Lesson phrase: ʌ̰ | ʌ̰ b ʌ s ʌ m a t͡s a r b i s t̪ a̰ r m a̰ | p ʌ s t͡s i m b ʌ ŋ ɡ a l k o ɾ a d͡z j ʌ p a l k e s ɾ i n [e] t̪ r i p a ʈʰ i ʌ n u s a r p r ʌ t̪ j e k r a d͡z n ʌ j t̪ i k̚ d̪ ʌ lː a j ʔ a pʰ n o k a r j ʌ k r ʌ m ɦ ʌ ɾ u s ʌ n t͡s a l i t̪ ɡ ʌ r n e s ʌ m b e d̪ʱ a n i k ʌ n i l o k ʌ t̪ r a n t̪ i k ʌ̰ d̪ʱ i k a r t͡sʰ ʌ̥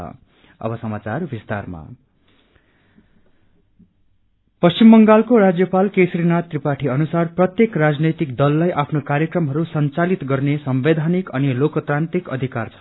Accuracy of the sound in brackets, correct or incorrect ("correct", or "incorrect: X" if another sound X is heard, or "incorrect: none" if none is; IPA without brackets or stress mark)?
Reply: incorrect: a